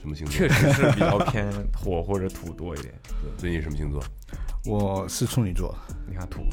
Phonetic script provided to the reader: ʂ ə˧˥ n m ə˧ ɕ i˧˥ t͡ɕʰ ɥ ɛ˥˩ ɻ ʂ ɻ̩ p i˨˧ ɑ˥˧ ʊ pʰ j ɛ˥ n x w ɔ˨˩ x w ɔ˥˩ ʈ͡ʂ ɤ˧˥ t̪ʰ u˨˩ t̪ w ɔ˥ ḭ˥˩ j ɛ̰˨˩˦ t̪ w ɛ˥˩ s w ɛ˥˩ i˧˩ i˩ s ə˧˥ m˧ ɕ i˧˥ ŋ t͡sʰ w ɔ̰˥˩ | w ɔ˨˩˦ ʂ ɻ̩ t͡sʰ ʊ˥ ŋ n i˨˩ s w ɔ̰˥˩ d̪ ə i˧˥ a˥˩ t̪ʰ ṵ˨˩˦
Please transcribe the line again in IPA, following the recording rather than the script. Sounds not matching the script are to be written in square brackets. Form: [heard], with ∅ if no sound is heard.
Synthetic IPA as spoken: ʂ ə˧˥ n m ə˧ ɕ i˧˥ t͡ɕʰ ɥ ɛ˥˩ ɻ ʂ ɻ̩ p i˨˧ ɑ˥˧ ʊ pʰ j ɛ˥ n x w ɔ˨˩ x w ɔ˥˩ ʈ͡ʂ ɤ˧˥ t̪ʰ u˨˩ t̪ w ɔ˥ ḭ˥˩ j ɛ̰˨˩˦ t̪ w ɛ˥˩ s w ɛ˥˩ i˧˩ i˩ [ʂ] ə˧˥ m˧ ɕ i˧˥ ŋ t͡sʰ w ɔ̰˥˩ | w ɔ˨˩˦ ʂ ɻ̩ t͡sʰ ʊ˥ ŋ n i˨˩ [t͡s] w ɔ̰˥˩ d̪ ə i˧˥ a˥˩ t̪ʰ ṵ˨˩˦